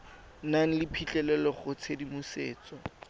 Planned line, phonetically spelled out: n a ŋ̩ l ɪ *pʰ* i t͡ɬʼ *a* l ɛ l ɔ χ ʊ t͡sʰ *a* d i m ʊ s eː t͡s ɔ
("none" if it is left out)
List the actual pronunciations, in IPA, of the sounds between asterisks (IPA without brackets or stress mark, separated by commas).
pʰ, ɛ, e